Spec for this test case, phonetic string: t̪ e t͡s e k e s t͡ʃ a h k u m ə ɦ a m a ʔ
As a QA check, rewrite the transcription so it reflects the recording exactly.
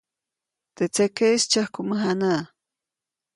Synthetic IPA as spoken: t̪ e t͡s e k e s t͡ʃ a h k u m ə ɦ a n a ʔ